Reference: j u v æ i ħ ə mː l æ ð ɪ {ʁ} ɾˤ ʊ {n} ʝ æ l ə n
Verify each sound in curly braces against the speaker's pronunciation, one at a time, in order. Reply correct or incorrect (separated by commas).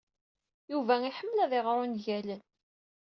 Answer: correct, correct